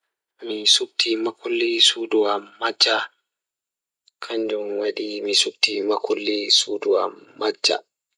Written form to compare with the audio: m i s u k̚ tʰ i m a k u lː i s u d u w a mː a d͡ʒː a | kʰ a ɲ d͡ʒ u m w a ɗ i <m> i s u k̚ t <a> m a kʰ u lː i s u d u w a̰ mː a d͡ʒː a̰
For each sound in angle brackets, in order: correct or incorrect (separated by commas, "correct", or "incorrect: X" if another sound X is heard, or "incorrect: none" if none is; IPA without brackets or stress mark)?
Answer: correct, incorrect: i